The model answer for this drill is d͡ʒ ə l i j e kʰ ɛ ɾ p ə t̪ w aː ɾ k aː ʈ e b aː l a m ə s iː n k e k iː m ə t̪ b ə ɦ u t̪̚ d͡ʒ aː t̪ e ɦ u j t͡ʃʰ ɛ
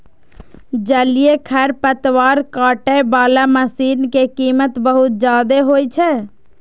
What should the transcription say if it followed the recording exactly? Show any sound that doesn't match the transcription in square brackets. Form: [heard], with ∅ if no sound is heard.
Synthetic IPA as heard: d͡ʒ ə l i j e kʰ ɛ ɾ p ə t̪ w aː ɾ k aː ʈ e b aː l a m ə s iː n k e k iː m ə t̪ b ə ɦ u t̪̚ d͡ʒ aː [d̪] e ɦ [o] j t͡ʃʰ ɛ